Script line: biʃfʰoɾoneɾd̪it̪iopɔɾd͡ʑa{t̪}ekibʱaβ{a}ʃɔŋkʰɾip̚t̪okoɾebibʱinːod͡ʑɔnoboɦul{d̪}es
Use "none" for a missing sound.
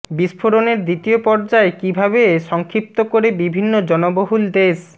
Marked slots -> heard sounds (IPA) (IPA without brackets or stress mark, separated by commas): none, e, d̪